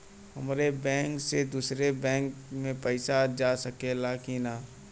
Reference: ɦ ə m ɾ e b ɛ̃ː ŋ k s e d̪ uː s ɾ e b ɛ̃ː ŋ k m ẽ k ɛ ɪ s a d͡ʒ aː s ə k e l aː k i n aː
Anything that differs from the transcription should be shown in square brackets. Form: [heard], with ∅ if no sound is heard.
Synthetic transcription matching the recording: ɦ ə m ɾ e b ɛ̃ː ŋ k s e d̪ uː s ɾ e b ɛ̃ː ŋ k m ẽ [p] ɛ ɪ s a d͡ʒ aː s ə k e l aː k i n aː